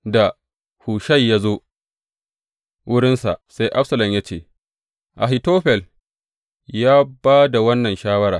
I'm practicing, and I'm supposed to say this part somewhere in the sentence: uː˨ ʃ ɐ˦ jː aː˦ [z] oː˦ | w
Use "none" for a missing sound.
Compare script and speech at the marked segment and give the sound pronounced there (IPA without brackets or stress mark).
z